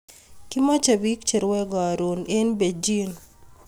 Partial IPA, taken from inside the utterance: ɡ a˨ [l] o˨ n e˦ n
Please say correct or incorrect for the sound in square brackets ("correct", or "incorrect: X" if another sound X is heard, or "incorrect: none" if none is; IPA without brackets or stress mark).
incorrect: ɾ